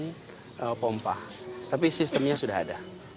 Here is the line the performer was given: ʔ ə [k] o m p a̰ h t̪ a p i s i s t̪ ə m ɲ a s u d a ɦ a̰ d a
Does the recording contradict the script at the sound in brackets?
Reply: yes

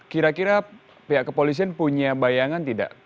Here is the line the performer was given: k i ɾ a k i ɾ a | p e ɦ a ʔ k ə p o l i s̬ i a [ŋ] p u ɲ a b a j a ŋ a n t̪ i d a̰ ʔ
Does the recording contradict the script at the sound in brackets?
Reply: yes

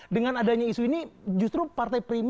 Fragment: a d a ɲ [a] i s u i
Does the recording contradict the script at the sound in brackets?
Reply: no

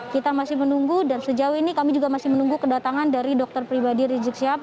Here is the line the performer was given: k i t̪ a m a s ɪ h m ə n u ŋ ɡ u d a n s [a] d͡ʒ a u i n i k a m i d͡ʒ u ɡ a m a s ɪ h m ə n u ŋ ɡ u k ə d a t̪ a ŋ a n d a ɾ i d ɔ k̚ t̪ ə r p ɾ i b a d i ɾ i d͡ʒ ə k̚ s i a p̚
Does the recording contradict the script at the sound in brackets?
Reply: yes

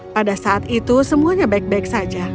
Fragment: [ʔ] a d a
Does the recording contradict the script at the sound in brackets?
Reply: yes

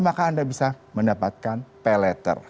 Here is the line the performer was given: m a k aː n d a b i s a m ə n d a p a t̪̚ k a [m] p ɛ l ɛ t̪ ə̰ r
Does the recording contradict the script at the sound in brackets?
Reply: yes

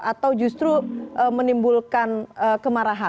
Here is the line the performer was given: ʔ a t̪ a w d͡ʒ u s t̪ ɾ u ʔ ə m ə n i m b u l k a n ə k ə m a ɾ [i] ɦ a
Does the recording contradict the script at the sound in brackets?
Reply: yes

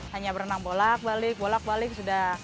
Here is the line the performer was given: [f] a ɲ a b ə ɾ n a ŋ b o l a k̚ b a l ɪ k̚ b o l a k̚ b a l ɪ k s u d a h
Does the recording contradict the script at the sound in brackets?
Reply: yes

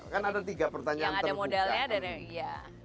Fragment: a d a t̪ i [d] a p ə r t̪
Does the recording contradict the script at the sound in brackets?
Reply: yes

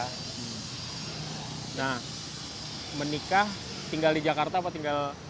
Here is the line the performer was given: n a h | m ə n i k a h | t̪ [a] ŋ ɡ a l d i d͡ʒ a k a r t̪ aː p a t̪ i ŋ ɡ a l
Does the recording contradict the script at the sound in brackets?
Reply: yes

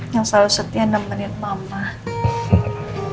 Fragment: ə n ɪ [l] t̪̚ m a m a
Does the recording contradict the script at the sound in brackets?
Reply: yes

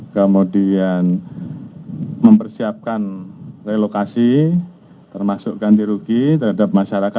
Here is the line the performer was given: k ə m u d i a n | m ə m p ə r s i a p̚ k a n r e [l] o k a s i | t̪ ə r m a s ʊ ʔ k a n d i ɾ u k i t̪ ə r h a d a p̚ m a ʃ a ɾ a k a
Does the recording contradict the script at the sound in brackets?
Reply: no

